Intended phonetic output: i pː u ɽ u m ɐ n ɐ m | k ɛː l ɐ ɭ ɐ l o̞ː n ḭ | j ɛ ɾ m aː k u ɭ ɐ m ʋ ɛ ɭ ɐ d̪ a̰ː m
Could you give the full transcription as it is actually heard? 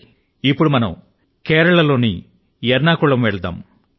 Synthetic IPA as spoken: i pː u ɽ u m ɐ n ɐ m | k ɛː ɾ ɐ ɭ ɐ l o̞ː n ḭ | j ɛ ɾ n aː k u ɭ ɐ m ʋ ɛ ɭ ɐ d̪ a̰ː m